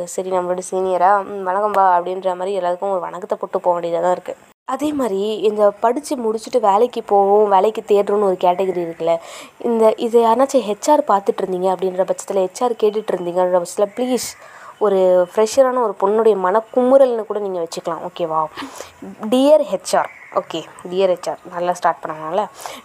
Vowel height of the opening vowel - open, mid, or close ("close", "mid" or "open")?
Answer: open